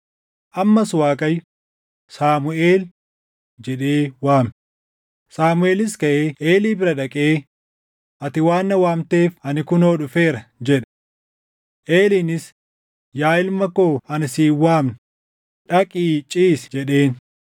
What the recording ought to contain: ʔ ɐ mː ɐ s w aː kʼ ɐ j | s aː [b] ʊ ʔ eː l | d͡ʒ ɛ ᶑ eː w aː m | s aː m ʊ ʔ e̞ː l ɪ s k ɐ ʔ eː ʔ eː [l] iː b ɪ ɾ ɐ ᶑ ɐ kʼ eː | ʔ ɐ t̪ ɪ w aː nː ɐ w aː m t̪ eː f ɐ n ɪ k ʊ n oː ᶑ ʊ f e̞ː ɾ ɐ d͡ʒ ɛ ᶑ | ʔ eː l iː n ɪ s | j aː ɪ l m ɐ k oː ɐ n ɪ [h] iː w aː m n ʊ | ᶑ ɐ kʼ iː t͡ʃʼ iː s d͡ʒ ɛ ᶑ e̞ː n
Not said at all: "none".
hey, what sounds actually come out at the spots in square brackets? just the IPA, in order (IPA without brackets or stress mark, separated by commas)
m, l, s